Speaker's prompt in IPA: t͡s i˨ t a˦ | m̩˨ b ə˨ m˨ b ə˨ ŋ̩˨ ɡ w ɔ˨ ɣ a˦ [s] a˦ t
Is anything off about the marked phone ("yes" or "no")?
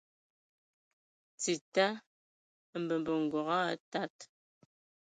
yes